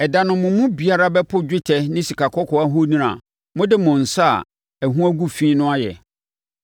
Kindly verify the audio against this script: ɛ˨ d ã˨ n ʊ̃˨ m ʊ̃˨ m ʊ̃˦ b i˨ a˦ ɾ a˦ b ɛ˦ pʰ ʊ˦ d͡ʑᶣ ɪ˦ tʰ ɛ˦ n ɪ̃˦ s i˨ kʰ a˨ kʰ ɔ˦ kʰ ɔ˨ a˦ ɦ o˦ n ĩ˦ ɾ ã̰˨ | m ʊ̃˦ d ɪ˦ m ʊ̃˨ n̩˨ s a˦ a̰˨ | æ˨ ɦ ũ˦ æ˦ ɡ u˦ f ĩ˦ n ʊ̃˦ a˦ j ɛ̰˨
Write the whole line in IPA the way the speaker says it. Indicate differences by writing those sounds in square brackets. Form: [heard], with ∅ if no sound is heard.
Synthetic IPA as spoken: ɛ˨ d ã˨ n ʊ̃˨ m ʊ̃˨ m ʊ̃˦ b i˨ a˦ ɾ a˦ b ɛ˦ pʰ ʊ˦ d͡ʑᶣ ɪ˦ tʰ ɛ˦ n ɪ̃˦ s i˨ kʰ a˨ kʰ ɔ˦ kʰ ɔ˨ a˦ ɦ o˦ n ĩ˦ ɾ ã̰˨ | m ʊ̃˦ d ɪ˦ m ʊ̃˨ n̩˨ s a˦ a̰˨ | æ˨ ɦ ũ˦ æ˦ ɡ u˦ f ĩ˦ n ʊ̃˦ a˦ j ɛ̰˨